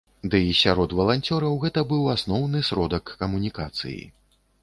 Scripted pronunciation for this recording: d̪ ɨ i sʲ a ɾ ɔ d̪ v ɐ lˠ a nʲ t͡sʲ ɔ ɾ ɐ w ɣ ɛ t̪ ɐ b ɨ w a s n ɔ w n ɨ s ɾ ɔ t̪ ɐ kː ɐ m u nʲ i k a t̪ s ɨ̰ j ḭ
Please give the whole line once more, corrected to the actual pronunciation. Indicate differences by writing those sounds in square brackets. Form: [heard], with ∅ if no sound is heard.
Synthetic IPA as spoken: d̪ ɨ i sʲ a ɾ ɔ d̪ v ɐ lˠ a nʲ t͡sʲ ɔ ɾ ɐ w ɣ ɛ t̪ ɐ b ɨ w a s n ɔ w n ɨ s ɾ ɔ [d̪] ɐ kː ɐ m u nʲ i k a t̪ s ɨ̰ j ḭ